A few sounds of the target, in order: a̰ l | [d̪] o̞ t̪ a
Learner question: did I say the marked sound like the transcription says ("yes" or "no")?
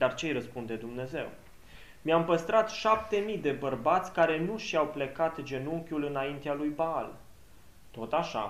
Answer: no